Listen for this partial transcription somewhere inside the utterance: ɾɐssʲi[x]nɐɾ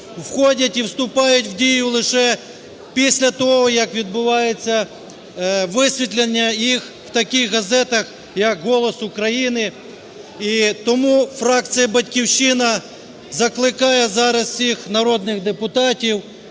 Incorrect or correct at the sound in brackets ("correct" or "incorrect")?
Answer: correct